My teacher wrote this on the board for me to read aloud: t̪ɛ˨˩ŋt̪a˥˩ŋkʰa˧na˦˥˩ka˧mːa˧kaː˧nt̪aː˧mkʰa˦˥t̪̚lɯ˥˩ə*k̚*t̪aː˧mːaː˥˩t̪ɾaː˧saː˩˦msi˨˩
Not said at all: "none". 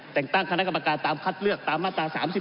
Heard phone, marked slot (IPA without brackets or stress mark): k̚